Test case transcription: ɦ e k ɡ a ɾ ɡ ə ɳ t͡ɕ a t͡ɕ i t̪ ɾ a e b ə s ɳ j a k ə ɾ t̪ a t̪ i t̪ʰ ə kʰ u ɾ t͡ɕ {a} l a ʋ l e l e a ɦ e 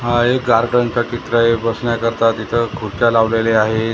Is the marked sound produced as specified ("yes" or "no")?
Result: yes